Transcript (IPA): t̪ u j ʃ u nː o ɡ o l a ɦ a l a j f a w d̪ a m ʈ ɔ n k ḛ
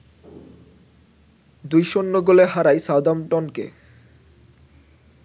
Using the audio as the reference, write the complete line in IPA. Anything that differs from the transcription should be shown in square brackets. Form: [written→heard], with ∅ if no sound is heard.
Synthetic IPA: [t̪→d̪] u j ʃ [u→o] nː o ɡ o l [a→e] ɦ a [l→ɾ] a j [f→s] a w d̪ a m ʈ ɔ n k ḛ